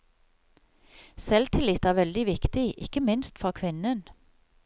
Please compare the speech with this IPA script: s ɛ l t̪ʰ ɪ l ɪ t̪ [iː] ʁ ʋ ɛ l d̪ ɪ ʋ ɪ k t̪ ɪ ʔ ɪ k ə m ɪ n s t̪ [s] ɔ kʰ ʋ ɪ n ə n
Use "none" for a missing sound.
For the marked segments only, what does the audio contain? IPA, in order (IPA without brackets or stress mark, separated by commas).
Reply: æː, f